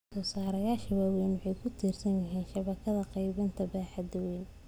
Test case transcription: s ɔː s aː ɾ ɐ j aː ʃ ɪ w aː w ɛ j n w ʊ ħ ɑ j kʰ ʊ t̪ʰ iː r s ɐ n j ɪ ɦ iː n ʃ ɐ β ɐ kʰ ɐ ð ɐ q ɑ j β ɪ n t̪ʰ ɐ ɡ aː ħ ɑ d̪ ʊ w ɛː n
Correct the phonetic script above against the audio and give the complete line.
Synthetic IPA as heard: s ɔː s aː ɾ ɐ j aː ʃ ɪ w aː w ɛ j n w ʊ ħ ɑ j kʰ ʊ t̪ʰ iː r s ɐ n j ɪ ɦ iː n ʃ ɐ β ɐ kʰ ɐ ð ɐ q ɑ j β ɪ n t̪ʰ ɐ b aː ħ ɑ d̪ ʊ w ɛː n